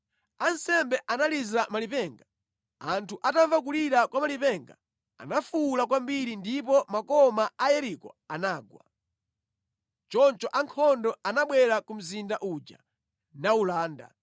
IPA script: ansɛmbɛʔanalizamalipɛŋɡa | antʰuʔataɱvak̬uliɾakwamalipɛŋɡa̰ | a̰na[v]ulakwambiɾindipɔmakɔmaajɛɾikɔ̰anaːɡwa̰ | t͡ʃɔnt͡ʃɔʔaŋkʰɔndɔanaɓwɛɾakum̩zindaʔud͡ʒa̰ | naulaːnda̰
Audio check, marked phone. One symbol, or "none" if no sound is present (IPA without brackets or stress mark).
f